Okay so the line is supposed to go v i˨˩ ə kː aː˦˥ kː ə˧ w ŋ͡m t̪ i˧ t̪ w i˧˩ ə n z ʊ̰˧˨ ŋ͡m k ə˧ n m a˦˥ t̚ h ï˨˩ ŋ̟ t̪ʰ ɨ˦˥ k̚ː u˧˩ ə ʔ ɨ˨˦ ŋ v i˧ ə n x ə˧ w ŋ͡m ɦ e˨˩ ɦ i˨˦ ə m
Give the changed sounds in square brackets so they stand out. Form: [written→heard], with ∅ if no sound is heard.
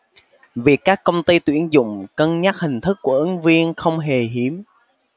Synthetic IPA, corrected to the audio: v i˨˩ ə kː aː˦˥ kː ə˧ w ŋ͡m t̪ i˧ t̪ w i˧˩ ə n z ʊ̰˧˨ ŋ͡m k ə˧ n [m→ɲ] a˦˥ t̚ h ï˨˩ ŋ̟ t̪ʰ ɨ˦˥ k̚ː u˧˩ ə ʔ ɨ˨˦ ŋ v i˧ ə n x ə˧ w ŋ͡m ɦ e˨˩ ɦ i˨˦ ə m